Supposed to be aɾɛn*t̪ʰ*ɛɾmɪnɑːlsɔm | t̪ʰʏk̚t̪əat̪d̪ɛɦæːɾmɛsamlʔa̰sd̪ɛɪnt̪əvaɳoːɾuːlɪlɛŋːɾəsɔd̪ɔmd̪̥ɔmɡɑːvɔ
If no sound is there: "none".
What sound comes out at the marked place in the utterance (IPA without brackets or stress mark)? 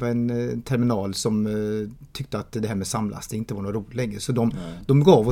t̪ʰ